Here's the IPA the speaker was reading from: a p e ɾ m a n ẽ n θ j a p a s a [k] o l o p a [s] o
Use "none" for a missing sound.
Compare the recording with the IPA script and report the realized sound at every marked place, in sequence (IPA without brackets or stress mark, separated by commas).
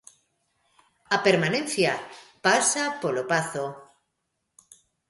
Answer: p, θ